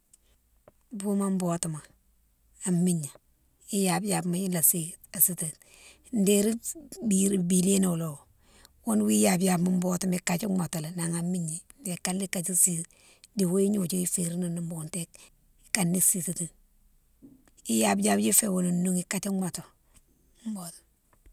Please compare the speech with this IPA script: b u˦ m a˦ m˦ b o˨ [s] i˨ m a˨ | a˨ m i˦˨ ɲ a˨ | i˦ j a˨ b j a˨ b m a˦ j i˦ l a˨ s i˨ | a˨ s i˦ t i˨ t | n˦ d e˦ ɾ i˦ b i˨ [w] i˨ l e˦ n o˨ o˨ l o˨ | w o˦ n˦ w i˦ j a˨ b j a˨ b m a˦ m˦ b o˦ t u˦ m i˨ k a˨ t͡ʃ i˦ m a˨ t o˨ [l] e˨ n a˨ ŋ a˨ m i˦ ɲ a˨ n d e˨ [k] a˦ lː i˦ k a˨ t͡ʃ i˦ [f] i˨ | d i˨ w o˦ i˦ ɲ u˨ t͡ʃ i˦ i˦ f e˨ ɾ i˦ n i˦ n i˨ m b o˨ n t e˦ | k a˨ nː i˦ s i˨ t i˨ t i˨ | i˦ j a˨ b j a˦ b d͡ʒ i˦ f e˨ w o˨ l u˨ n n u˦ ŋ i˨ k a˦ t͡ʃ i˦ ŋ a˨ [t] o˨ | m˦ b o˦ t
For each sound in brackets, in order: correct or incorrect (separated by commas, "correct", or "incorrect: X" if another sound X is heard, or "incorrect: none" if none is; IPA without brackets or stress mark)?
incorrect: t, incorrect: b, correct, correct, incorrect: s, correct